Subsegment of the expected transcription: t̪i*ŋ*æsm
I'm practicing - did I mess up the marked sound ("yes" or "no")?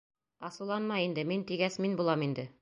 yes